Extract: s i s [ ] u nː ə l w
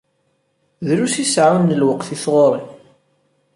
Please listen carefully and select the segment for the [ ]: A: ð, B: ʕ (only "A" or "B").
B